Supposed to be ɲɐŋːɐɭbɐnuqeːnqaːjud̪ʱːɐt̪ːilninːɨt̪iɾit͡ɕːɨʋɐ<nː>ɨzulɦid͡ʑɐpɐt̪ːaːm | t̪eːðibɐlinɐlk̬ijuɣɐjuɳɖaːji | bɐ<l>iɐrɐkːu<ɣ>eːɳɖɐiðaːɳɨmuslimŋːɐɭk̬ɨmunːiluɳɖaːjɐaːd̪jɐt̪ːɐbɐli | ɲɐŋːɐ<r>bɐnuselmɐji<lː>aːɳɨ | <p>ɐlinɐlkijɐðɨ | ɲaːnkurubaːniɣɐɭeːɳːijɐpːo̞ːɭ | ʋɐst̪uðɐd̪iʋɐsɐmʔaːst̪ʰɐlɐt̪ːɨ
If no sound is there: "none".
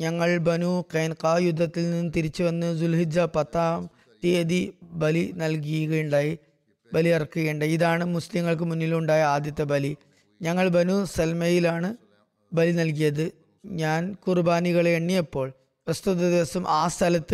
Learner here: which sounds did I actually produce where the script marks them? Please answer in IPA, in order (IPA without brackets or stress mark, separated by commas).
nː, l, ɣ, ɭ, l, b